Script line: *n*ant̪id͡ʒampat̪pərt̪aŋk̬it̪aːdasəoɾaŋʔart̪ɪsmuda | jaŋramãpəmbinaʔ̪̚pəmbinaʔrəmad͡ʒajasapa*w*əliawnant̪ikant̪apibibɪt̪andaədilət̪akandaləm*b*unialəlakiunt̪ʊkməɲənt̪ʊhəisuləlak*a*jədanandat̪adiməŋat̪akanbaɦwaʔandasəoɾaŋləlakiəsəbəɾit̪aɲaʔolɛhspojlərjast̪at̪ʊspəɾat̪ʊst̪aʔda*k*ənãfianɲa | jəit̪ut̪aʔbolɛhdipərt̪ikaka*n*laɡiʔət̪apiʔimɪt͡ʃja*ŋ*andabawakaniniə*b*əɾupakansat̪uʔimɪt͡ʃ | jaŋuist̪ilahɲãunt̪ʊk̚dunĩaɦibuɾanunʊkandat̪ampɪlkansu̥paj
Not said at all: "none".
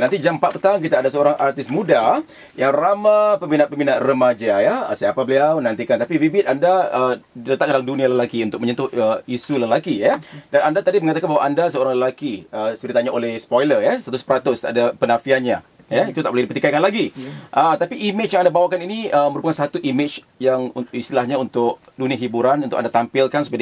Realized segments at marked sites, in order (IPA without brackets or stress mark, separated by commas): n, b, d, i, p, n, ŋ, m